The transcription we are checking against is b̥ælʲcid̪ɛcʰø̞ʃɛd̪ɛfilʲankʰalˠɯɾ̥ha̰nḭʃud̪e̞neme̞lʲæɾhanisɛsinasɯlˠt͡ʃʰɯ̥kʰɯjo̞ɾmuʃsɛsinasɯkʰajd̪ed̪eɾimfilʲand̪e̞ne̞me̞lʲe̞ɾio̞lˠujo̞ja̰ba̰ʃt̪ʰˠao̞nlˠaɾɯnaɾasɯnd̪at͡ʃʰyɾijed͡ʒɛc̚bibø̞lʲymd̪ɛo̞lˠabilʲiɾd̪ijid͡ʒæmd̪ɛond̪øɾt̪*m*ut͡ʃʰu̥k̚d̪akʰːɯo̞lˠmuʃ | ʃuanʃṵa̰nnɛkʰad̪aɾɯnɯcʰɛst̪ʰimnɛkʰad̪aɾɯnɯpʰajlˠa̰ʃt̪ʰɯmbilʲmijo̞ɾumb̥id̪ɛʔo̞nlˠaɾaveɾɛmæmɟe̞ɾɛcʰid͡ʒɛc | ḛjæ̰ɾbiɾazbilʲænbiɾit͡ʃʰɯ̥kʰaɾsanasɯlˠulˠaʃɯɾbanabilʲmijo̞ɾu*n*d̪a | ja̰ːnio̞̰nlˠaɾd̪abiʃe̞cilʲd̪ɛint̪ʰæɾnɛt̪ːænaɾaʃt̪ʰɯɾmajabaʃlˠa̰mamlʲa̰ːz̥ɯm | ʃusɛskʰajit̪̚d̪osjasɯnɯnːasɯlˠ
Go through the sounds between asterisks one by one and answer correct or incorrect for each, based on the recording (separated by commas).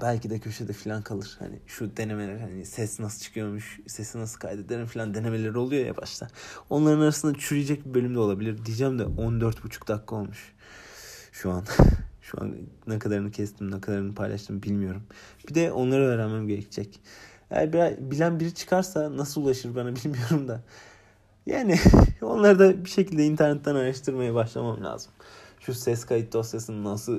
incorrect, incorrect